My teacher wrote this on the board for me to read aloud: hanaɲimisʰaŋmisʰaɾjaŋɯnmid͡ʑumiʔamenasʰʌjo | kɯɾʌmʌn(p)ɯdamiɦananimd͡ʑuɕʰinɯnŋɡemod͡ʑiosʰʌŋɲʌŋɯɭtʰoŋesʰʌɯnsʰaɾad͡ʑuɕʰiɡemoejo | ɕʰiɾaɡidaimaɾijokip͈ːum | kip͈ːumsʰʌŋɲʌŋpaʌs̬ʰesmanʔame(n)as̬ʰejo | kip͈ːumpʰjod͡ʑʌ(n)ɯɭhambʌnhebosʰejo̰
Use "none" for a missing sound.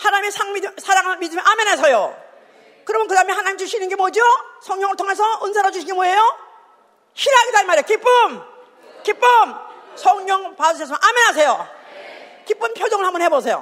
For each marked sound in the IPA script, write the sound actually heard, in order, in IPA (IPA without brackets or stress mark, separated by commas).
k, n, ŋ